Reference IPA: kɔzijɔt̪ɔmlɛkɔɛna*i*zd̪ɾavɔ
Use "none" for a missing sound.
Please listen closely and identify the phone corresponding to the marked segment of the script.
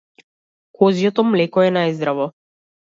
j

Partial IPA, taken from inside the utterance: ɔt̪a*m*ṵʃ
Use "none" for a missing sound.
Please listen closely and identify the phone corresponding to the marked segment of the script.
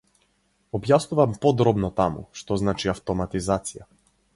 m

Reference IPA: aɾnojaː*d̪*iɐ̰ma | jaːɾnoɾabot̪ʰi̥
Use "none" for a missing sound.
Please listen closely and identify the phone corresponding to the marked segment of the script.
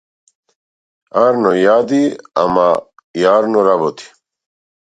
d̪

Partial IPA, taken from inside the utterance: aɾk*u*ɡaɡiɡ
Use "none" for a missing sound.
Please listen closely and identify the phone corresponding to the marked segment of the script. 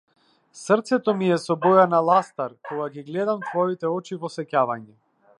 ɔ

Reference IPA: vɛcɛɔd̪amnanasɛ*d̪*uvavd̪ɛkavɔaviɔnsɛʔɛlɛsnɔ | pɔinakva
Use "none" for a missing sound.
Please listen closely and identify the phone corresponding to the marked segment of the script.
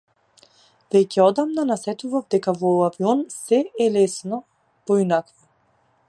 t̪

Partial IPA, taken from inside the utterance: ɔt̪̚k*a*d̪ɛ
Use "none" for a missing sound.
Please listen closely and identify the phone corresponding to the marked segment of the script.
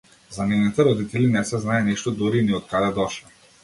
a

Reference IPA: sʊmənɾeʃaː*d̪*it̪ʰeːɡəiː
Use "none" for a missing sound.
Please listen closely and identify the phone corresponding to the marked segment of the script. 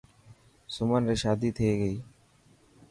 d̪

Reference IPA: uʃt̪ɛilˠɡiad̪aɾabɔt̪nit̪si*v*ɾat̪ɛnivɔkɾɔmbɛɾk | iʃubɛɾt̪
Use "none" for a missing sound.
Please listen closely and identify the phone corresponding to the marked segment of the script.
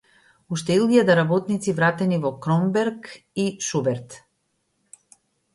v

